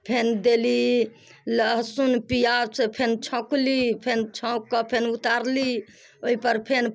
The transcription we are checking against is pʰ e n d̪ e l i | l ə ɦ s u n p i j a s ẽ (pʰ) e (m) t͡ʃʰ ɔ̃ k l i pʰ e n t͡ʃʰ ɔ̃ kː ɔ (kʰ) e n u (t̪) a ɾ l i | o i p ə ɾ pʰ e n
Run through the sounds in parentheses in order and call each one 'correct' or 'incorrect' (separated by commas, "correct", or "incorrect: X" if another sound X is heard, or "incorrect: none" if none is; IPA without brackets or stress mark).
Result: correct, incorrect: n, incorrect: pʰ, correct